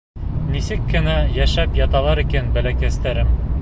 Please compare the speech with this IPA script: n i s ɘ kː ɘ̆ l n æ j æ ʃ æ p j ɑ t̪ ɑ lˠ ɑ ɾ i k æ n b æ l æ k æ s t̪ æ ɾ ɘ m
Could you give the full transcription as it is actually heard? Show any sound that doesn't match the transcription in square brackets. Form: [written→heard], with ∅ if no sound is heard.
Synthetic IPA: n i s ɘ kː ɘ̆ [l→∅] n æ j æ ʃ æ p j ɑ t̪ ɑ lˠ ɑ ɾ i k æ n b æ l æ k æ s t̪ æ ɾ ɘ m